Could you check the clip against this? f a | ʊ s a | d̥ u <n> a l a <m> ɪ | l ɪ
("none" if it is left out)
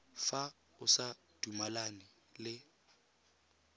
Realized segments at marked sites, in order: m, n

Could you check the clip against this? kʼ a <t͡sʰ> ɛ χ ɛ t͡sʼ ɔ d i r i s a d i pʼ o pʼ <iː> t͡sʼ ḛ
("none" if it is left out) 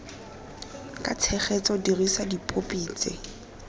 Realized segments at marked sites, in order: t͡sʰ, iː

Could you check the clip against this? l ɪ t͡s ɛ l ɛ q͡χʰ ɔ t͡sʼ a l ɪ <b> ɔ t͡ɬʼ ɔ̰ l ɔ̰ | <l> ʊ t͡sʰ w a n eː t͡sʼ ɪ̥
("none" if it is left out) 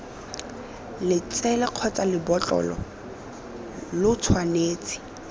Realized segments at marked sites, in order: b, l

